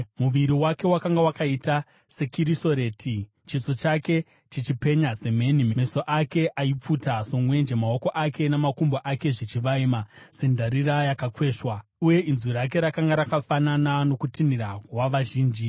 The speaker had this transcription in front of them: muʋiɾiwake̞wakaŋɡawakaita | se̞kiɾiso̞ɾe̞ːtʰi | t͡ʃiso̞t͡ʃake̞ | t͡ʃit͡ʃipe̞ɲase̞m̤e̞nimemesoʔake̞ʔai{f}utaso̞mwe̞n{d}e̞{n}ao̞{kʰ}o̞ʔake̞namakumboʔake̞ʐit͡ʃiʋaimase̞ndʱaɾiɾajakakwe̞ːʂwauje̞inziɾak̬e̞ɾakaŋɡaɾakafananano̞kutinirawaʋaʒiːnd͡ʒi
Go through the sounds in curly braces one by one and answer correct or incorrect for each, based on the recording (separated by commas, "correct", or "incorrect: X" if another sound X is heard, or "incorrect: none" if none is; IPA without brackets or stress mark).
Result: incorrect: p͡f, incorrect: d͡ʒ, incorrect: m, incorrect: k